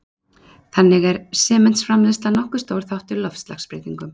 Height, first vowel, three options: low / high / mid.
low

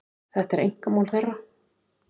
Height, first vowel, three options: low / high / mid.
mid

